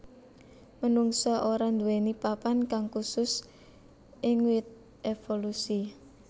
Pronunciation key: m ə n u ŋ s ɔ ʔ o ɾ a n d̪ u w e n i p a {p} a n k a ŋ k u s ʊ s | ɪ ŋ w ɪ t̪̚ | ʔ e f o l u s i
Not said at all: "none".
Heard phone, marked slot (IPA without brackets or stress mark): p